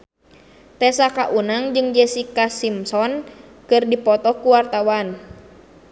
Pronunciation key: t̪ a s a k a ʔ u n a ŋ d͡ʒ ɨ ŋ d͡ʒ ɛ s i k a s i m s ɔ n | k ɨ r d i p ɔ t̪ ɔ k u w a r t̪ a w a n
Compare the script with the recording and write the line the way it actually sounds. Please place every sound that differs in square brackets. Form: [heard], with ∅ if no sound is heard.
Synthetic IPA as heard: t̪ [ɛ] s a k a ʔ u n a ŋ d͡ʒ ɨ ŋ d͡ʒ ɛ s i k a s i m s ɔ n | k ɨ r d i p ɔ t̪ ɔ k u w a r t̪ a w a n